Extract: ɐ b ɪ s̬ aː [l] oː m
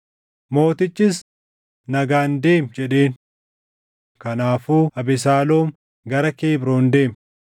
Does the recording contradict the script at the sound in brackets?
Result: no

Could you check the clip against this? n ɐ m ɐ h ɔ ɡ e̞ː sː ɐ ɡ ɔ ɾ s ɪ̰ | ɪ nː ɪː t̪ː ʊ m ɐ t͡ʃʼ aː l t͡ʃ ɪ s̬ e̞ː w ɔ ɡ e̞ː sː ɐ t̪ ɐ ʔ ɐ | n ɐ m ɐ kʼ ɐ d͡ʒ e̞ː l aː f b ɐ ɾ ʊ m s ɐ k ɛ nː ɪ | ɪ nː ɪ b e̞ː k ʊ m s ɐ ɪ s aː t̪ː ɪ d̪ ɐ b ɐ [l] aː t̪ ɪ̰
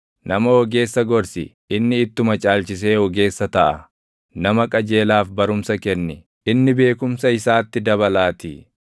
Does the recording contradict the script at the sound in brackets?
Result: no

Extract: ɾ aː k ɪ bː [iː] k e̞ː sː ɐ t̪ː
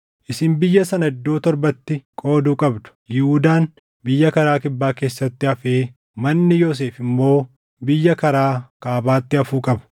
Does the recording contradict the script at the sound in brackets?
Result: yes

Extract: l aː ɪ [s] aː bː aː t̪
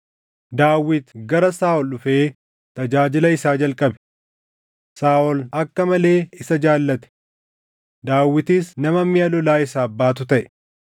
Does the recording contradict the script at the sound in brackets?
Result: no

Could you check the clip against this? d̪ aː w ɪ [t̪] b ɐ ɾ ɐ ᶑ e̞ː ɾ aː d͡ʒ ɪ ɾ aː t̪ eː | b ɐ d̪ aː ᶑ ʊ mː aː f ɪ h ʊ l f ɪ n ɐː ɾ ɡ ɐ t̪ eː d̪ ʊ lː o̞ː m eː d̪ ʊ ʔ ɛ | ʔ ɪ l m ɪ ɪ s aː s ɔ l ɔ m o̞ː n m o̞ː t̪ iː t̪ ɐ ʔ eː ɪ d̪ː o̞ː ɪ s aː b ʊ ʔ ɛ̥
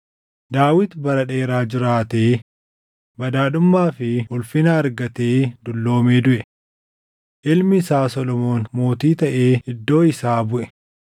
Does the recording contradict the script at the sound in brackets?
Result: no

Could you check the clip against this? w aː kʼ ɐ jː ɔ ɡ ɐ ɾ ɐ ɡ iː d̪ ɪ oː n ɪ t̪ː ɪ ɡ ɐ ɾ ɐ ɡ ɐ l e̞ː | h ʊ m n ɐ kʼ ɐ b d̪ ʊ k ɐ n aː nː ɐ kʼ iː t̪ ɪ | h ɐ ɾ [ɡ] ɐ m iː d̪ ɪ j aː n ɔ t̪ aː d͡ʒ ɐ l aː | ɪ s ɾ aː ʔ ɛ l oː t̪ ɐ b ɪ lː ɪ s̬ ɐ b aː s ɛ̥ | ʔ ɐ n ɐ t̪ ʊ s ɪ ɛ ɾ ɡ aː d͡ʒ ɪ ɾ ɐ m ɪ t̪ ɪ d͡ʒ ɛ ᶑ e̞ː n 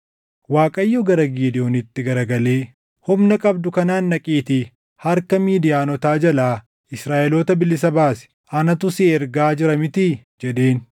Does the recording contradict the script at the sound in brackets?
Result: yes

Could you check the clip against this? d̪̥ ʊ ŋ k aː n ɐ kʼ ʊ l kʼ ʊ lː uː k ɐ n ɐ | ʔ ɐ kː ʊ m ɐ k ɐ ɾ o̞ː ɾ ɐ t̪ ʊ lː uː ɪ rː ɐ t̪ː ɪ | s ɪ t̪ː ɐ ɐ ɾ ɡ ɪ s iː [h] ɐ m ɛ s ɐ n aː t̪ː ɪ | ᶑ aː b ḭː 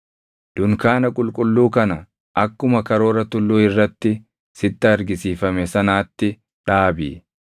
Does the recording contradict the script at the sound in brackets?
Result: yes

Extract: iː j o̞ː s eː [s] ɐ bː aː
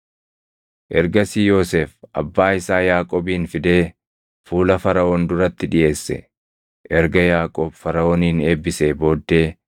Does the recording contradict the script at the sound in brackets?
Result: yes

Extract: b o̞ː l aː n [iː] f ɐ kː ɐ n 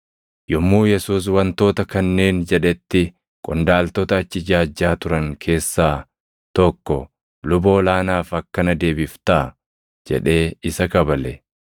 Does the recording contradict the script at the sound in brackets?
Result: yes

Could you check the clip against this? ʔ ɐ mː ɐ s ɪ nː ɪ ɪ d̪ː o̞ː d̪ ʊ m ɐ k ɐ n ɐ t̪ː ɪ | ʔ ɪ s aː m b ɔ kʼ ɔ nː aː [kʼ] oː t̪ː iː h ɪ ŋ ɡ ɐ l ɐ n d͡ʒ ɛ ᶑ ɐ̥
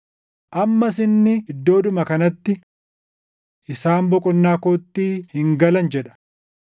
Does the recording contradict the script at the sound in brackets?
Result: yes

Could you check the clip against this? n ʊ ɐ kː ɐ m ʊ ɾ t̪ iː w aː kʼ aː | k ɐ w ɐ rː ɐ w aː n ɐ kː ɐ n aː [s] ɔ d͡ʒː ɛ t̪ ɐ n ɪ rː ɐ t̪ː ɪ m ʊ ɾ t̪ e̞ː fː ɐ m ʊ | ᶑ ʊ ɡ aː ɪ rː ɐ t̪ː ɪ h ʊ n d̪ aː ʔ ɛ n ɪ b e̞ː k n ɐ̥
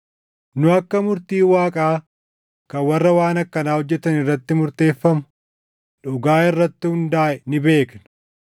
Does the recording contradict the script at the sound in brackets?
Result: yes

